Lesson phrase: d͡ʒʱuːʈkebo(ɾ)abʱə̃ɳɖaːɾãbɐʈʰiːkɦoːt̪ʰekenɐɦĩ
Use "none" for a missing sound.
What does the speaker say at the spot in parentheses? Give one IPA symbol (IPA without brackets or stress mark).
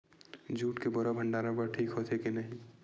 ɾ